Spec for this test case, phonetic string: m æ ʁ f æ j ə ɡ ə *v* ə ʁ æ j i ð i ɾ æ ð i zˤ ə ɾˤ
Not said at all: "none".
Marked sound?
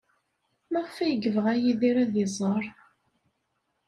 v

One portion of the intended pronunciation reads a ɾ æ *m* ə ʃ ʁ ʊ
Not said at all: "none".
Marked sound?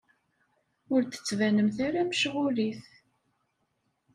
m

